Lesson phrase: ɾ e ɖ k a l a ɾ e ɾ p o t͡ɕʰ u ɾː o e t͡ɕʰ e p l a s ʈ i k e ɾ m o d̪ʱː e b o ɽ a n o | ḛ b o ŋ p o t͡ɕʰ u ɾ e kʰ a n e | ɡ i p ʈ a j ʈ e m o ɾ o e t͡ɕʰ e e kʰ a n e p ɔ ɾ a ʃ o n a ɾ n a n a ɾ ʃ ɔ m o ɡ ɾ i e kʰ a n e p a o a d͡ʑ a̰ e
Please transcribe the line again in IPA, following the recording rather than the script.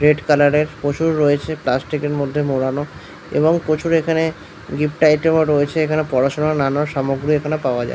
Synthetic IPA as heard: ɾ e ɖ k a l a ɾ e ɾ p o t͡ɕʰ u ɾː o e t͡ɕʰ e p l a s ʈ i k e ɾ m o d̪ʱː e m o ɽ a n o | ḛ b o ŋ p o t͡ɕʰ u ɾ e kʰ a n e | ɡ i p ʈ a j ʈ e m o ɾ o e t͡ɕʰ e e kʰ a n e p ɔ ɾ a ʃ o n a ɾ n a n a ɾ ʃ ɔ m o ɡ ɾ i e kʰ a n e p a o a d͡ʑ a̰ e